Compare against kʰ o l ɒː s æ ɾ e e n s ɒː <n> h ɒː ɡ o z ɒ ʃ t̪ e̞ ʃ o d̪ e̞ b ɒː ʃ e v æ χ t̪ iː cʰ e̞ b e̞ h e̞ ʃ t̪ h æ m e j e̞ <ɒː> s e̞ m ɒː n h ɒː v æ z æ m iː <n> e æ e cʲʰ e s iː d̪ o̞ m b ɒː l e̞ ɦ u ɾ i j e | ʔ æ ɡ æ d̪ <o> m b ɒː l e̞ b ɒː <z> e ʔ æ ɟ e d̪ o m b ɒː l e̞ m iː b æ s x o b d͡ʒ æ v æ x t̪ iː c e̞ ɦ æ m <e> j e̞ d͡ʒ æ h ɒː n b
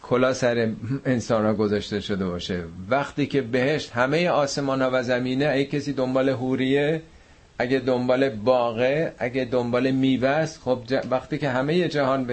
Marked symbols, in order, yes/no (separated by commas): yes, yes, yes, yes, no, yes